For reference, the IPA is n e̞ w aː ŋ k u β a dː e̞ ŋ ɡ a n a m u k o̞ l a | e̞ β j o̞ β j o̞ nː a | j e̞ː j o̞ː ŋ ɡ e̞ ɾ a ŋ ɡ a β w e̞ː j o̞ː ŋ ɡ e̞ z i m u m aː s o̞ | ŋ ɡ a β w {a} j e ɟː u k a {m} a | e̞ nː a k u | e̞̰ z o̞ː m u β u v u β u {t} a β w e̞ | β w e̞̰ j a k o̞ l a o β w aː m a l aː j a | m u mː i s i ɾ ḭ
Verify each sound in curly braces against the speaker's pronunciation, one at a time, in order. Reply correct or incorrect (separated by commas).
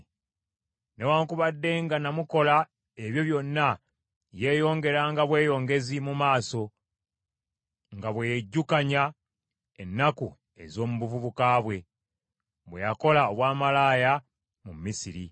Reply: incorrect, incorrect, incorrect